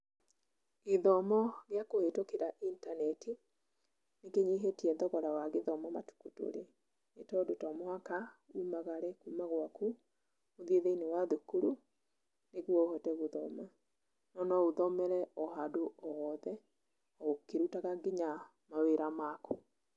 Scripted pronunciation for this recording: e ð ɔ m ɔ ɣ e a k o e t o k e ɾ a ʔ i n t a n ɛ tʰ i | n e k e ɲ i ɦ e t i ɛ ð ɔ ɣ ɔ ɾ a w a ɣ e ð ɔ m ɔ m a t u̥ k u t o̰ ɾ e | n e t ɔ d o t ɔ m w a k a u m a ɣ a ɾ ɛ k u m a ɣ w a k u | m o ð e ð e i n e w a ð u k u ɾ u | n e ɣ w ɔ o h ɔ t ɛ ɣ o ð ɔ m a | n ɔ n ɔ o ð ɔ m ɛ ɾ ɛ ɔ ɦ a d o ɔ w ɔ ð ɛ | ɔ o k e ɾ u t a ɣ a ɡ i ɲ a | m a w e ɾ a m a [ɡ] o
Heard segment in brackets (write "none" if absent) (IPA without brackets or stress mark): k